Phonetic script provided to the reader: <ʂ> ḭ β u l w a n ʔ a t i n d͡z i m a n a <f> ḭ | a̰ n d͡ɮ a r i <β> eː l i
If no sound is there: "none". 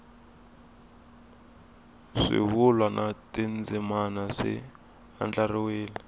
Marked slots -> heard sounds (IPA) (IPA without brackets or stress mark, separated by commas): ʂ, ʂ, w